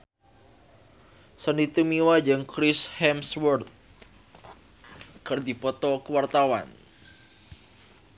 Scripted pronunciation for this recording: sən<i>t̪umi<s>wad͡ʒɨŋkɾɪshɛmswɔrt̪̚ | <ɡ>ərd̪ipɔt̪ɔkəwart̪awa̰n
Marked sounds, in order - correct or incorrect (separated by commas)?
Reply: correct, incorrect, incorrect